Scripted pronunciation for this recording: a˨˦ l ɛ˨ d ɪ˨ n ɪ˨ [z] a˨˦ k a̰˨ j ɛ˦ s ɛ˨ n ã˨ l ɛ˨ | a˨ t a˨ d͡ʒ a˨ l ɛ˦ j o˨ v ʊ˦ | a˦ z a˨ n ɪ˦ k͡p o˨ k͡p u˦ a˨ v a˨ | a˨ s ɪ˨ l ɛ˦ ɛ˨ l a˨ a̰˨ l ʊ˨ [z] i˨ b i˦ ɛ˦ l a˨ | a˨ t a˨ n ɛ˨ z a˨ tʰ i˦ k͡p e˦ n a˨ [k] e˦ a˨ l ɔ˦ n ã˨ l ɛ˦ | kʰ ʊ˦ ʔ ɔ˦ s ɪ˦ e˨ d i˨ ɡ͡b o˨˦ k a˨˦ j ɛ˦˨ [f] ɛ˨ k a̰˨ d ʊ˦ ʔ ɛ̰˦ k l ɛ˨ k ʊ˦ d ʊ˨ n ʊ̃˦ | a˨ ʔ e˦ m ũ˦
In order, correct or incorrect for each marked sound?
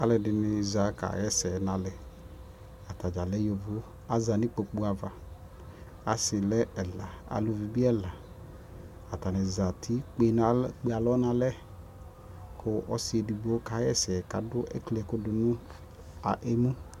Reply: correct, incorrect: v, incorrect: k͡p, incorrect: s

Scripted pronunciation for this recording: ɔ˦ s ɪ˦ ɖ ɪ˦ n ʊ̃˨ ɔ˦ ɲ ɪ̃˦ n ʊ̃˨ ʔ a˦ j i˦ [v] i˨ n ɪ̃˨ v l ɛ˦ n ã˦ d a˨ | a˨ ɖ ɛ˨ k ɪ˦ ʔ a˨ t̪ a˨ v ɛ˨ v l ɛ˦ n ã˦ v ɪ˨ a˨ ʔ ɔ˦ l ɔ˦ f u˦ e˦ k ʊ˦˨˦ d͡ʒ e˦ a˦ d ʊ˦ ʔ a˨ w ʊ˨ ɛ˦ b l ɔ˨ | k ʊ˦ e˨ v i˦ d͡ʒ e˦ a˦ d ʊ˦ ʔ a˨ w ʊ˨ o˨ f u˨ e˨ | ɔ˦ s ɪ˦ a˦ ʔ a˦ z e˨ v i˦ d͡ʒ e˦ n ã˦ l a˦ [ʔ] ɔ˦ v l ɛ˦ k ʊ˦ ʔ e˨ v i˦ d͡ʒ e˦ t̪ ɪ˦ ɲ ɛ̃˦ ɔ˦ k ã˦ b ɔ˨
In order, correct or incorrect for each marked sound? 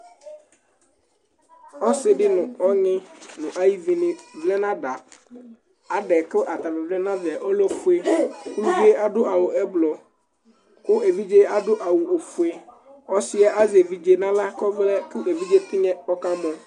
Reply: correct, incorrect: k

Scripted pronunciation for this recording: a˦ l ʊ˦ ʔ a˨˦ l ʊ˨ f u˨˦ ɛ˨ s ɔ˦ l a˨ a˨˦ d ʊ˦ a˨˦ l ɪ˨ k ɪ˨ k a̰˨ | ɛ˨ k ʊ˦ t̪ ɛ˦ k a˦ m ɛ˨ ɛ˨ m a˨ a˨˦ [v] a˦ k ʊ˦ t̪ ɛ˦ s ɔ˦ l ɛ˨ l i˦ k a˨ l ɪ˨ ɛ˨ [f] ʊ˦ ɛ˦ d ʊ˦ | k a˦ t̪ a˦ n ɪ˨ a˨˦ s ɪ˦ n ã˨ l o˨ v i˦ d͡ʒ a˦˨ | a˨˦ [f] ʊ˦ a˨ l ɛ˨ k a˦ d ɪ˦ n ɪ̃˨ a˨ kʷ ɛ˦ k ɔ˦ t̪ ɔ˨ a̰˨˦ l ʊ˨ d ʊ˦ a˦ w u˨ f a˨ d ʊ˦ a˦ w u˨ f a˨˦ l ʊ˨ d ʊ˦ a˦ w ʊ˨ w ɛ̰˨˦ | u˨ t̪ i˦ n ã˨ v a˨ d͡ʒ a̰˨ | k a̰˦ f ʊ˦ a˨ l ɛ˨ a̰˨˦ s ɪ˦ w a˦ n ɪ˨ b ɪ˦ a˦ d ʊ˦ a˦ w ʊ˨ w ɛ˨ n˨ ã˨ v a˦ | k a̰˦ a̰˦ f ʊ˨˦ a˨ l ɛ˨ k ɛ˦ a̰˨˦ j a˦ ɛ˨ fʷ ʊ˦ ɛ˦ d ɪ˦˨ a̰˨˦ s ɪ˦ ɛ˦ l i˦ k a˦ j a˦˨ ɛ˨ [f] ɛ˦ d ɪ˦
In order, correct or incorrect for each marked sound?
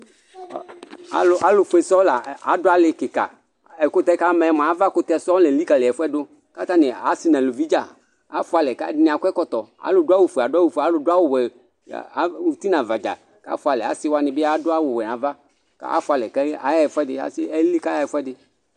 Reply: correct, correct, correct, correct

